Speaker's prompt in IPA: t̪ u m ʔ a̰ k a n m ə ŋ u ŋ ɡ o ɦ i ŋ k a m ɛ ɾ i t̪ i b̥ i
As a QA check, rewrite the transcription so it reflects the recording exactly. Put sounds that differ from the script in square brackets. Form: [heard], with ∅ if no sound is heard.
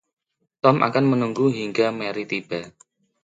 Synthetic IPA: t̪ [ɔ] m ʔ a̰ k a n m ə [n] u ŋ ɡ [u] ɦ i ŋ [ɡ] a m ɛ ɾ i t̪ i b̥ [a]

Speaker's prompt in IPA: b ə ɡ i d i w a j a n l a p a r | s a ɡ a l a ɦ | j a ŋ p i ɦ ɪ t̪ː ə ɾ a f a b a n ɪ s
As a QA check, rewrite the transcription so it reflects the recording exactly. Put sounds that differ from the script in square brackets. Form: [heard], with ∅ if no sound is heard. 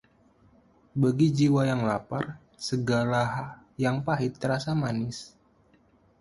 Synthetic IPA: b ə ɡ i [d͡ʒ] i w a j a [ŋ] l a p a r | s [ə] ɡ a l a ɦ | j a ŋ p [a] ɦ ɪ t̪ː ə ɾ a [s] a [m] a n ɪ s

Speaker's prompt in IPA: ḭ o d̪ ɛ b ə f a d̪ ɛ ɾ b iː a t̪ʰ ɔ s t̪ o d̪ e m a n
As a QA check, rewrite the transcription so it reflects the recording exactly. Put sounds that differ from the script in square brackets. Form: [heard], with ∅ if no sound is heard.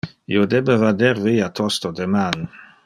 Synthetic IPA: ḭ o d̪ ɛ b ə [v] a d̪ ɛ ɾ [v] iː a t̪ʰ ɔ s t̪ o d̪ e m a n

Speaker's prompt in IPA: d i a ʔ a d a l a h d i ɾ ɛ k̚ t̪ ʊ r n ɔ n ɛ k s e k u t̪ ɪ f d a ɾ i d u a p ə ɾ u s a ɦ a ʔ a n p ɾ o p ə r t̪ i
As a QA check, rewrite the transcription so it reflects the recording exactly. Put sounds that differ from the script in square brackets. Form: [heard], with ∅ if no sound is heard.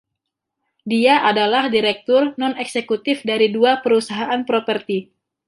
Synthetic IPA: d i a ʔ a d a l a h d i ɾ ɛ k̚ t̪ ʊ r n ɔ n ɛ k s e k u t̪ ɪ f d a ɾ i d u a p ə ɾ u s a ɦ a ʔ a n p ɾ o p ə r t̪ i

